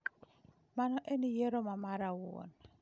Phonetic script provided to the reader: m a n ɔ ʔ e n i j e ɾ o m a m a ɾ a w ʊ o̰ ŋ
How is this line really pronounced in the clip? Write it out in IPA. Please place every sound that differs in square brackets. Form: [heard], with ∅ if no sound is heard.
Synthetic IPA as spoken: m a n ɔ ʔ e n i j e ɾ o m a m a ɾ a w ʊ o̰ [n]